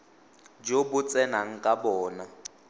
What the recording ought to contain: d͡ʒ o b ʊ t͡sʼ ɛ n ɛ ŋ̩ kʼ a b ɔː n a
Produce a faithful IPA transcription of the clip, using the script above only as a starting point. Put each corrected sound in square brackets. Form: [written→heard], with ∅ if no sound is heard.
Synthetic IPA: d͡ʒ o b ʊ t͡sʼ ɛ n [ɛ→a] ŋ̩ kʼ a b ɔː n a